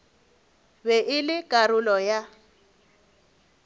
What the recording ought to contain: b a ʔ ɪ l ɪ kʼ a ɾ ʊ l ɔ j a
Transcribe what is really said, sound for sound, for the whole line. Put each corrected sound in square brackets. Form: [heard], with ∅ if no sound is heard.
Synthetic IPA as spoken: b [ɛ] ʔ ɪ l ɪ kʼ a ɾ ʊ l ɔ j a